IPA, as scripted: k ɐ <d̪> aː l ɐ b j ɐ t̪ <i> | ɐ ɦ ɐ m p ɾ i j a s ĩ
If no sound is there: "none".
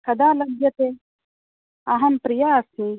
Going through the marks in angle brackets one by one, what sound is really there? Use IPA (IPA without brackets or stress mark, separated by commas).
d̪, e